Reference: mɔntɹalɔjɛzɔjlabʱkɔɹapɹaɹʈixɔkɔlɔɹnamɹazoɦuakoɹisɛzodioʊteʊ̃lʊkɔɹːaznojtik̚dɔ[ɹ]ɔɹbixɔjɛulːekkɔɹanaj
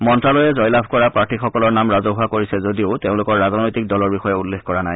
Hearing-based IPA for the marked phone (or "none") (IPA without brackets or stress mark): l